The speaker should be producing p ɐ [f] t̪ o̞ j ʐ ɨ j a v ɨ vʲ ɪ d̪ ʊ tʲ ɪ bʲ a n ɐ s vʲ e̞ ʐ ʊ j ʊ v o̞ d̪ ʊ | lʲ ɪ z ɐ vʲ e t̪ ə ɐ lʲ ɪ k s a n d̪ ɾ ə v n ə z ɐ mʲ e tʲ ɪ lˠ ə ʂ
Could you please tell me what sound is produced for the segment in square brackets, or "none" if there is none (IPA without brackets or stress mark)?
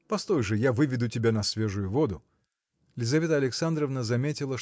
s